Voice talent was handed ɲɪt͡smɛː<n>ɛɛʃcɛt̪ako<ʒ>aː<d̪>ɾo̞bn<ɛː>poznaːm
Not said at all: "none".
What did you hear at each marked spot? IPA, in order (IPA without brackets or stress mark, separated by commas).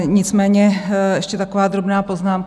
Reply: ɲ, v, d̪, aː